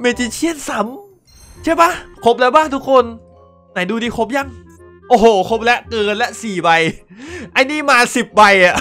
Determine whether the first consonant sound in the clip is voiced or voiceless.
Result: voiced